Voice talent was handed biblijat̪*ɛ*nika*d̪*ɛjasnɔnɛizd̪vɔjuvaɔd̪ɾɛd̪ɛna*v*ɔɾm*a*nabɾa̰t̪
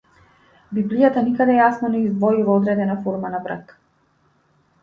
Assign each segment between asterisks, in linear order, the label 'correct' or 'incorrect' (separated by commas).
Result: incorrect, correct, incorrect, correct